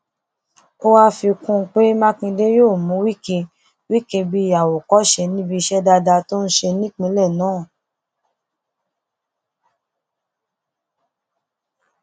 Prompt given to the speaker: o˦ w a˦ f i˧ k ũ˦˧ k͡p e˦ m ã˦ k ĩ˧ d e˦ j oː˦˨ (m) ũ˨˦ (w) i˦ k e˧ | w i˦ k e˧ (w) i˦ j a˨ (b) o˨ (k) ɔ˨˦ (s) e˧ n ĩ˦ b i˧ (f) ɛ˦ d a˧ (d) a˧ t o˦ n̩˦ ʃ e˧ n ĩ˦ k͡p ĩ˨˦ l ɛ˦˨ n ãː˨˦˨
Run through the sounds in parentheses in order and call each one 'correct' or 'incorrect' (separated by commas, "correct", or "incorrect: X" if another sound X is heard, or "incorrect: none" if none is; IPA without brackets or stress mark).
correct, correct, incorrect: b, incorrect: w, correct, incorrect: ʃ, incorrect: ʃ, correct